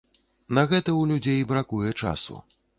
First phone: n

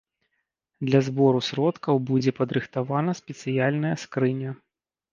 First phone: d̪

